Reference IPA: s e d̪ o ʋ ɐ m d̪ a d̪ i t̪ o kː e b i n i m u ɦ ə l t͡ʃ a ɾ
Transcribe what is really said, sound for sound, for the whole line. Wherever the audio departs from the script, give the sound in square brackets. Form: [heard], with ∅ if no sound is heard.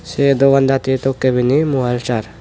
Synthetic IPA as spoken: s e d̪ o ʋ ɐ [n] d̪ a [t̪] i t̪ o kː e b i n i m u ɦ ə l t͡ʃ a ɾ